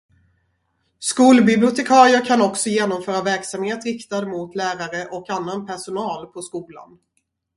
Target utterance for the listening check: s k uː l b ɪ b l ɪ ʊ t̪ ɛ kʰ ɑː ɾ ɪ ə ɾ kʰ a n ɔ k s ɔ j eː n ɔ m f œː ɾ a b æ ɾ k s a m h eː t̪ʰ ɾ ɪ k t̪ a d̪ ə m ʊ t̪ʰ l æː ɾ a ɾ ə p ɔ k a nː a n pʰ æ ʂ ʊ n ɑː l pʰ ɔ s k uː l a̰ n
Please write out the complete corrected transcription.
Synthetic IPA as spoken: s k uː l b ɪ b l ɪ ʊ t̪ ɛ kʰ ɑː ɾ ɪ ə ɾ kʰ a n ɔ k s ɔ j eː n ɔ m f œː ɾ a v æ ɾ k s a m h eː t̪ ɾ ɪ k t̪ a d̪ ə m ʊ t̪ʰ l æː ɾ a ɾ ə ʔ ɔ k a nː a n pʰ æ ʂ ʊ n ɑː l pʰ ɔ s k uː l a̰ n